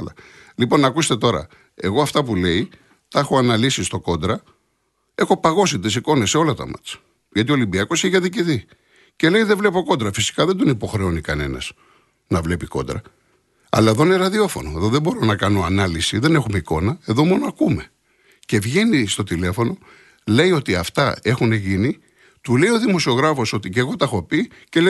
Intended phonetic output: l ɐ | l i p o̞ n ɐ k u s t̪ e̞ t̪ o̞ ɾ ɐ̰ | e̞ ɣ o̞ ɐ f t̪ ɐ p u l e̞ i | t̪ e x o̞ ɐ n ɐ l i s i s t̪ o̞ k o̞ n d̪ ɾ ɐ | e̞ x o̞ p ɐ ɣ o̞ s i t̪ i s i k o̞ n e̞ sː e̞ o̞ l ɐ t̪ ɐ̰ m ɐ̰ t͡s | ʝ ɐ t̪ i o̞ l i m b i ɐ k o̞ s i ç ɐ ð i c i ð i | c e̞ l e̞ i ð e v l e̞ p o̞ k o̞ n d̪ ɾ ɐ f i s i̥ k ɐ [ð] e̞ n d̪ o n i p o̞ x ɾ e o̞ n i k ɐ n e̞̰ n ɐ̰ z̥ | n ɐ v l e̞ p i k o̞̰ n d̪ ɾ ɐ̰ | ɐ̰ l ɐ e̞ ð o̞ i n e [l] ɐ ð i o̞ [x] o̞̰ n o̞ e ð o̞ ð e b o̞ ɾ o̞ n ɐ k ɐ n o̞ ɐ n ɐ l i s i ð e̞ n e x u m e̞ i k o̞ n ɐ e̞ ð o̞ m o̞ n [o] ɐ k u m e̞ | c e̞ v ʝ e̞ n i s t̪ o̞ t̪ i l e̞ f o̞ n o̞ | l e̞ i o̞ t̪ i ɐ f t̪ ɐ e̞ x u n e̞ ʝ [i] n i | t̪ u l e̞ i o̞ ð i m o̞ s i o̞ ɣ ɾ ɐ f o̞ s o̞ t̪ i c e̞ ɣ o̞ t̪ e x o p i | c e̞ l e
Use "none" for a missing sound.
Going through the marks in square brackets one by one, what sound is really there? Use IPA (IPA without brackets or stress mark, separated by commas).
ð, ɾ, f, o, i